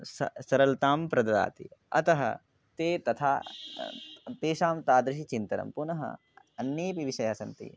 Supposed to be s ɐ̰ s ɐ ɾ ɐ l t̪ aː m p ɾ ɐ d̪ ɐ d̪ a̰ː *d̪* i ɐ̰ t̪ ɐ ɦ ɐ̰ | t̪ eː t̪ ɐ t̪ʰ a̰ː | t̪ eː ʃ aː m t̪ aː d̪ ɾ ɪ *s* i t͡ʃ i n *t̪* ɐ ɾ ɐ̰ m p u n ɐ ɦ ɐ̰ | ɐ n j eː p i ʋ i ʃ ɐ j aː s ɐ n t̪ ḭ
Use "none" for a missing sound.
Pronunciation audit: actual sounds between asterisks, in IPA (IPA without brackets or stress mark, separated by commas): t̪, ʃ, t̪